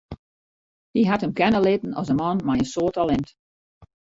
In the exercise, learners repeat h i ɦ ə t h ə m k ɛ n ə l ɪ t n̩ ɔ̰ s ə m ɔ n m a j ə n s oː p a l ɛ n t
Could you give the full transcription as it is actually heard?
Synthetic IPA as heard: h i ɦ a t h ə m k ɛ n ə l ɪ t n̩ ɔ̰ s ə m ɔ n m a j ə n s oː t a l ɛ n t